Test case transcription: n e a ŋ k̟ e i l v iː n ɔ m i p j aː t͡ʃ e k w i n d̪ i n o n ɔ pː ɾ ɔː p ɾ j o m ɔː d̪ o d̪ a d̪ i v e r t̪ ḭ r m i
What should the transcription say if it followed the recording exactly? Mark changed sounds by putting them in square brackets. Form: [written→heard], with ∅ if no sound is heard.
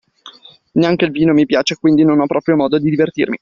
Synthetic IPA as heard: n e a ŋ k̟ e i l v iː n [ɔ→o] m i p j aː t͡ʃ e k w i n d̪ i n o n ɔ pː ɾ ɔː p ɾ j o m ɔː d̪ o d̪ [a→i] d̪ i v e r t̪ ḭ r m i